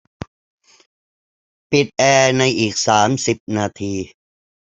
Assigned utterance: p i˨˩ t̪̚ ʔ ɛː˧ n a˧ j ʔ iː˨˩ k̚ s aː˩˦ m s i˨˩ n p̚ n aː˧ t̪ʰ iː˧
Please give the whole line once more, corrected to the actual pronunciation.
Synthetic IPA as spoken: p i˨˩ t̪̚ ʔ ɛː˧ n a˧ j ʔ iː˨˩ k̚ s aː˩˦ m s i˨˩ p̚ n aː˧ t̪ʰ iː˧